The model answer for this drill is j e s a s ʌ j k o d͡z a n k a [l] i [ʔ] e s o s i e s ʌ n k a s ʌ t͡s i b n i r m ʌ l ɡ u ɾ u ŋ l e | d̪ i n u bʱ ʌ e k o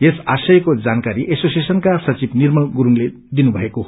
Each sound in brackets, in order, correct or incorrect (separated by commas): incorrect, correct